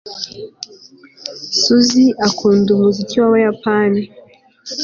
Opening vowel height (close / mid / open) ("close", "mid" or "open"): close